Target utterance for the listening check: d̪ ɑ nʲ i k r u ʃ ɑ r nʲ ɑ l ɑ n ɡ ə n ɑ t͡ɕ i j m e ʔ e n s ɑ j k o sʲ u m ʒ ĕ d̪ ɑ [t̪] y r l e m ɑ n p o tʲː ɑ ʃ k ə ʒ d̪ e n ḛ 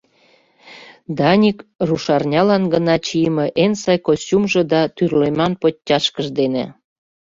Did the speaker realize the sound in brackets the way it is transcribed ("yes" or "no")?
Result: yes